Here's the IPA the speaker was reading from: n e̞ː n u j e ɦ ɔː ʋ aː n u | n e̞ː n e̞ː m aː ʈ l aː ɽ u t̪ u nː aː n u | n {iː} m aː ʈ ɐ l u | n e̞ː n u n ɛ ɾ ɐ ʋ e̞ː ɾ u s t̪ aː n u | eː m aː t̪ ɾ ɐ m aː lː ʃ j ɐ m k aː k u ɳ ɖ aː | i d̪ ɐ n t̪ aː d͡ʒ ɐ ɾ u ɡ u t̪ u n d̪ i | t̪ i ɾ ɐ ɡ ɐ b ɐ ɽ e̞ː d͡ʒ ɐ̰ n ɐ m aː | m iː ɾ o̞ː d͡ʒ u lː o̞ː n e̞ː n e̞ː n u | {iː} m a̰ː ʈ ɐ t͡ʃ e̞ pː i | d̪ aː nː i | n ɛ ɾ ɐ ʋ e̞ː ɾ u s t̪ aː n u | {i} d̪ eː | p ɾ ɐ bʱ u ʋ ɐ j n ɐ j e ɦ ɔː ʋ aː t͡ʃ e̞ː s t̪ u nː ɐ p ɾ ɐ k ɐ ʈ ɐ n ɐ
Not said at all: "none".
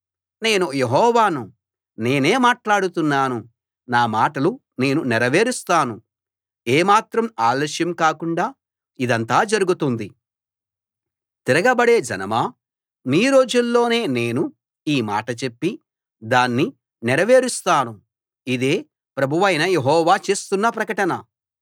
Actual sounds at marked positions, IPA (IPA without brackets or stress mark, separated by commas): aː, iː, i